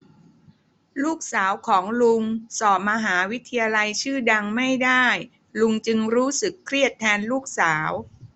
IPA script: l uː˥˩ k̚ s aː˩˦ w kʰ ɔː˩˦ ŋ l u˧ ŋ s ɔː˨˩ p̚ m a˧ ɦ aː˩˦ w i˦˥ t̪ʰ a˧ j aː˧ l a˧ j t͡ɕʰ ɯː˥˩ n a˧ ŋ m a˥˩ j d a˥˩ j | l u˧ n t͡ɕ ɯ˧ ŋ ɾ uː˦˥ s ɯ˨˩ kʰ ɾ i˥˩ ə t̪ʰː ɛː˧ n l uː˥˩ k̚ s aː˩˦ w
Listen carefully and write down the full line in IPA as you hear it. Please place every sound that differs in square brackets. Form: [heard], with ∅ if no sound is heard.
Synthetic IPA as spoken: l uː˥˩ k̚ s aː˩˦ w kʰ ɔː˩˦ ŋ l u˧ ŋ s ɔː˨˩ p̚ m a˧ ɦ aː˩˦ w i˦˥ t̪ʰ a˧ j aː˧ l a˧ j t͡ɕʰ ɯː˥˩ [d] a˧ ŋ m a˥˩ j d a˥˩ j | l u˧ [ŋ] t͡ɕ ɯ˧ ŋ ɾ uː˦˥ s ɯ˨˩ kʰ ɾ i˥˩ ə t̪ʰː ɛː˧ n l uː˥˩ k̚ s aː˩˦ w